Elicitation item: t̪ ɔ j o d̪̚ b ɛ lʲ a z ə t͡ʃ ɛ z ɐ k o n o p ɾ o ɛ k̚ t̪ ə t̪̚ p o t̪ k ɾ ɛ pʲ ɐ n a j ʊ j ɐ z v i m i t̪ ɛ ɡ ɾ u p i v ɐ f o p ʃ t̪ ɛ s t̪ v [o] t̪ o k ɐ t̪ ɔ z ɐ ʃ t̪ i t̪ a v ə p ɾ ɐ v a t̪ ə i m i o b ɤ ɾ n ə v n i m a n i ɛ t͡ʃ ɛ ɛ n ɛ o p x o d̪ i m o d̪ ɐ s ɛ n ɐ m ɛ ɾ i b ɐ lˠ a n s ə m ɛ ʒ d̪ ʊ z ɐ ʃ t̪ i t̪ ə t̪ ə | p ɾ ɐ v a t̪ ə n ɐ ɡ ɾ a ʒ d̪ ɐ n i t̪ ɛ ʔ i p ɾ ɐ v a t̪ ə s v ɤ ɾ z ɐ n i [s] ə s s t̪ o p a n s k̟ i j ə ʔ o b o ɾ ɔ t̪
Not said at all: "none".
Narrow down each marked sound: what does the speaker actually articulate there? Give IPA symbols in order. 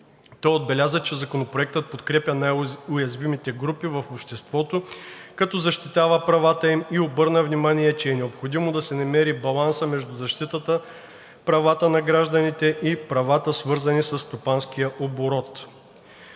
ɔ, s

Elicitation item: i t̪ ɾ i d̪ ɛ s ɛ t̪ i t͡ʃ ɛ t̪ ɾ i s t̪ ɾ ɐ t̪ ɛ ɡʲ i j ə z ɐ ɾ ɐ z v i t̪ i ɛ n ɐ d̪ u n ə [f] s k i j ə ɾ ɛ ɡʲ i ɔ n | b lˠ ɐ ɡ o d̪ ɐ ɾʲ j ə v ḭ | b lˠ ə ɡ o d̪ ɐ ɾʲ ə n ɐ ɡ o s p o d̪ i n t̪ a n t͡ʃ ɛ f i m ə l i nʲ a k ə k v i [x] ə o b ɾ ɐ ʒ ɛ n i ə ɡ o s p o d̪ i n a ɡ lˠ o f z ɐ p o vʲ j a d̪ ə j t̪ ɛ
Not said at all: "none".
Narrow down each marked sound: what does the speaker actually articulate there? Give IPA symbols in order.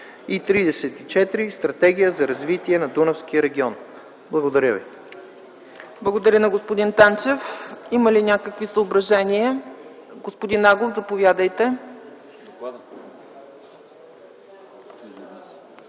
f, s

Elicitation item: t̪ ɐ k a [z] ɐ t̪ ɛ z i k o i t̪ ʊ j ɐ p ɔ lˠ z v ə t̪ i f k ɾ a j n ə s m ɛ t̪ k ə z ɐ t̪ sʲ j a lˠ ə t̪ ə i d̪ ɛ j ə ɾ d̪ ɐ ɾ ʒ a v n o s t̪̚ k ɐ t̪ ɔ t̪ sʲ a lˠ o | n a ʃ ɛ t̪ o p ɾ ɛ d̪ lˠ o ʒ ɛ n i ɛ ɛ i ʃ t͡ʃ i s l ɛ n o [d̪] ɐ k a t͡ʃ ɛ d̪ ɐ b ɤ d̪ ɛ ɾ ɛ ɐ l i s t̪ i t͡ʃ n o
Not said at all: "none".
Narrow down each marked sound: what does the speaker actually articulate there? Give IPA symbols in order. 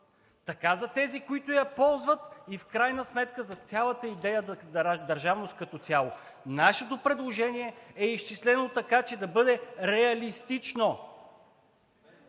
z, t̪

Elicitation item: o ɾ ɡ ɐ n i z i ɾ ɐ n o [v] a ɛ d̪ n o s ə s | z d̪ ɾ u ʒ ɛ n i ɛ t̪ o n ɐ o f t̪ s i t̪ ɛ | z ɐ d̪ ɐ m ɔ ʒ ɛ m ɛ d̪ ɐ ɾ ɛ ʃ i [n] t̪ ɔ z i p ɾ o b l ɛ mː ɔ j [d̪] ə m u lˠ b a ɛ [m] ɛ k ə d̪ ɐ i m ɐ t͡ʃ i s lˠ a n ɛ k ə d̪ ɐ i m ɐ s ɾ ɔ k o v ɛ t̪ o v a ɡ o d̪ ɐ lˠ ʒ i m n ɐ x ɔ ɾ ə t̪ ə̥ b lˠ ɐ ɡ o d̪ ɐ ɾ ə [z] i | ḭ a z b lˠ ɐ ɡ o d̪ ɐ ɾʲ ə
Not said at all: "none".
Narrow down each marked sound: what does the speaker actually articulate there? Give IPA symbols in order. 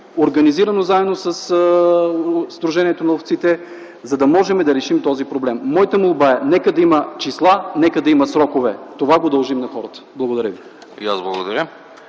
z, m, t̪, n, v

